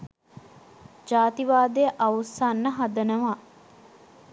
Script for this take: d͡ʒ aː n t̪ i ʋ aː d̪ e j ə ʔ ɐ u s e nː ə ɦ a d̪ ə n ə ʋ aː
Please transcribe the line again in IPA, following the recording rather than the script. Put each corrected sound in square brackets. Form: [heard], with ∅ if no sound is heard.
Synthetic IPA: d͡ʒ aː [∅] t̪ i ʋ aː d̪ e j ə ʔ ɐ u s [a] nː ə ɦ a d̪ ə n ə ʋ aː